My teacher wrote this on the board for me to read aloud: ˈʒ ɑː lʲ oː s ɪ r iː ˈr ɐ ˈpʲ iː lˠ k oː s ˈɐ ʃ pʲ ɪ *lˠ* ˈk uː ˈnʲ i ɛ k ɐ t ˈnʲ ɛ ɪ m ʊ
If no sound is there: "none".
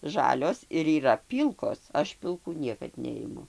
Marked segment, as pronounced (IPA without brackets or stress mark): lˠ